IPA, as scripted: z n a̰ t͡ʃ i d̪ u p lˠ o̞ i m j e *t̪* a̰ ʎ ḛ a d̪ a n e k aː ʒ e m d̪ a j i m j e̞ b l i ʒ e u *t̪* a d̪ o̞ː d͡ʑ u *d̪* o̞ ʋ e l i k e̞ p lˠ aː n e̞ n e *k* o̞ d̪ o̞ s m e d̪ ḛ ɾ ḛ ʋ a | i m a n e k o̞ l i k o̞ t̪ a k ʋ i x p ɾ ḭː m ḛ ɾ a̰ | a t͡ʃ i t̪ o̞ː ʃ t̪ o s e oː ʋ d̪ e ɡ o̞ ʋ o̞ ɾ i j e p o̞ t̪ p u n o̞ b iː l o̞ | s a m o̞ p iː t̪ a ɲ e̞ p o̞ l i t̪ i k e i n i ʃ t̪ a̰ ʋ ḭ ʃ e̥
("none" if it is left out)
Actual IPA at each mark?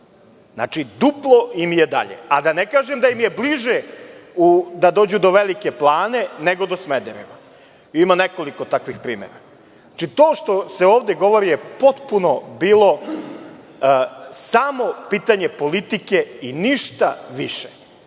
d̪, d̪, d̪, ɡ

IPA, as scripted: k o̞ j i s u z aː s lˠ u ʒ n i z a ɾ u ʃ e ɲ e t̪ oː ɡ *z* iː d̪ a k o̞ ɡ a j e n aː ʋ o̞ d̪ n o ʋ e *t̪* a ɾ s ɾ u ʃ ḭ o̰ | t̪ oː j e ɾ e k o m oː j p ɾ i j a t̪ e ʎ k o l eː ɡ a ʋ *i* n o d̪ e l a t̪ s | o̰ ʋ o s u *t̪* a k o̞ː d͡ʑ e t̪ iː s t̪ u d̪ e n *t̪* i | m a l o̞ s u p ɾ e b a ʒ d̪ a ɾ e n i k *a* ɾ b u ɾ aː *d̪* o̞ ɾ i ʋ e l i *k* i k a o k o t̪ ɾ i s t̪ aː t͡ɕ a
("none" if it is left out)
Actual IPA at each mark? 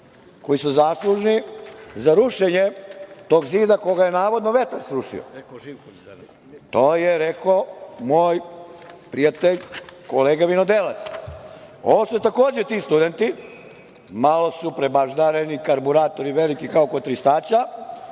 z, t̪, i, t̪, t̪, a, t̪, k

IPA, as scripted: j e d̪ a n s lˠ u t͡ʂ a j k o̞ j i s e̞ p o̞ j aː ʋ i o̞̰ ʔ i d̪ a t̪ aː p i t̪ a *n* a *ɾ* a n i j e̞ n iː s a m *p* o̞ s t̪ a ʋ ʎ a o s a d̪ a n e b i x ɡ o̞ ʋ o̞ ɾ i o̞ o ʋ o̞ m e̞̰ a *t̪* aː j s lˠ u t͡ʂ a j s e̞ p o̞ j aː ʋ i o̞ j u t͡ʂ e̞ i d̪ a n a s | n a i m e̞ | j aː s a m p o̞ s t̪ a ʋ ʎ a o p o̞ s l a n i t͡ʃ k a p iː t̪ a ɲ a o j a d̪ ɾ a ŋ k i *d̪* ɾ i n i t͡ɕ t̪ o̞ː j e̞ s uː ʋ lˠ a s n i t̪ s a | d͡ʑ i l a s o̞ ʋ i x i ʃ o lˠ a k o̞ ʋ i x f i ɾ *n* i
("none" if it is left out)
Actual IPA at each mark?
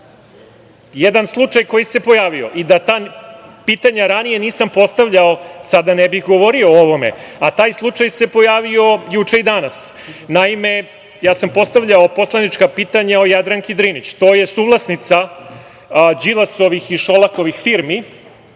ɲ, ɾ, p, t̪, d̪, m

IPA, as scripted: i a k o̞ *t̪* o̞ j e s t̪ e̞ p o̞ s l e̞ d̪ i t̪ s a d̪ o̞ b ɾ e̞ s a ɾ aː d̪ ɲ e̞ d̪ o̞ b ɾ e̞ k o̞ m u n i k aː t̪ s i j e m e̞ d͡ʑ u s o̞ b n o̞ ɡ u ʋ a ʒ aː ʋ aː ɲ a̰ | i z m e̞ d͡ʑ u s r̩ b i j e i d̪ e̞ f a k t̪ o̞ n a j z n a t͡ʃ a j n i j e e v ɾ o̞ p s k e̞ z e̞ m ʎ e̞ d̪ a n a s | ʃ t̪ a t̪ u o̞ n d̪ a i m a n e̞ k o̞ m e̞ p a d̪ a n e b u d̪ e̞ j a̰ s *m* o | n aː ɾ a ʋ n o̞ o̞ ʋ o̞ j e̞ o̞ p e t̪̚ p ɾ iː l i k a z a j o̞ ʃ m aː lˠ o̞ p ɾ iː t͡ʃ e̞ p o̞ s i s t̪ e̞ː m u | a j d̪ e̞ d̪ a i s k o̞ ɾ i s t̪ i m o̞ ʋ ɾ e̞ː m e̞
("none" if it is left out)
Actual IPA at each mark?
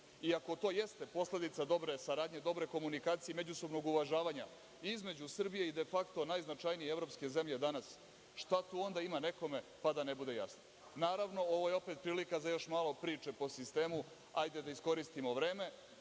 t̪, n

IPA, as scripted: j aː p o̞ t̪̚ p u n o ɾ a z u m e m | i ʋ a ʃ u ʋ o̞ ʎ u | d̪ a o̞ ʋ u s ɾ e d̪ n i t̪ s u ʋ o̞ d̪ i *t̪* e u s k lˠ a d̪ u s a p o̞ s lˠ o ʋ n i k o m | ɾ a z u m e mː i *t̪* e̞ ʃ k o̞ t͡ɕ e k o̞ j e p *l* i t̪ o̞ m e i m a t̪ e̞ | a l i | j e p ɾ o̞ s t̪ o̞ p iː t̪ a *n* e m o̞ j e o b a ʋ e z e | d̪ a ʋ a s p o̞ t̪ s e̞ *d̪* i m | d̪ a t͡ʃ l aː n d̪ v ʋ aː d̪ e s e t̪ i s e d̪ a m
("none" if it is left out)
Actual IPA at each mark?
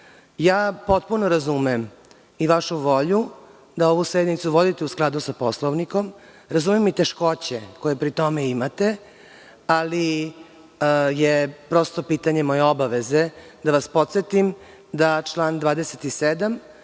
t̪, t̪, ɾ, ɲ, t̪

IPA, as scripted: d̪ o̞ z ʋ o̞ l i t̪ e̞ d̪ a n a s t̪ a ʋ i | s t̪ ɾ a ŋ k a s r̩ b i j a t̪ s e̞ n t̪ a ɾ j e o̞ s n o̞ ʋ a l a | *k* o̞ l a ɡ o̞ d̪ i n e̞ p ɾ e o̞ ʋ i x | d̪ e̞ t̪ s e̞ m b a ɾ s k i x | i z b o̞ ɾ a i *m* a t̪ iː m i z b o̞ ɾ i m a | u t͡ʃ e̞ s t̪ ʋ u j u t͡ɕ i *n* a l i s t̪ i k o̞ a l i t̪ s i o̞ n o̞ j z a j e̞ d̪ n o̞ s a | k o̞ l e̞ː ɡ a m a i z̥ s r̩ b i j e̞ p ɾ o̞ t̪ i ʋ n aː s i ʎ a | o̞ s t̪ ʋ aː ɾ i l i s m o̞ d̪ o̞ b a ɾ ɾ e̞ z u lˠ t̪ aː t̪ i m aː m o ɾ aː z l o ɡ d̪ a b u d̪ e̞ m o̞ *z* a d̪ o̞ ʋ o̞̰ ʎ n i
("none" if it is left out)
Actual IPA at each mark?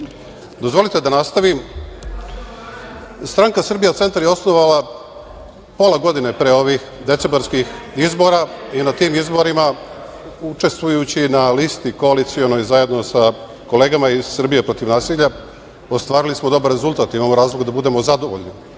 p, n, n, z

